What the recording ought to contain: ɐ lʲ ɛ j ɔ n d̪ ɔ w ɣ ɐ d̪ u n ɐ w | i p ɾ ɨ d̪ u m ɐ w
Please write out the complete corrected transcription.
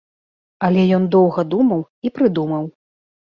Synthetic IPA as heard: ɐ lʲ ɛ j ɔ n d̪ ɔ w ɣ ɐ d̪ u m ɐ w | i p ɾ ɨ d̪ u m ɐ w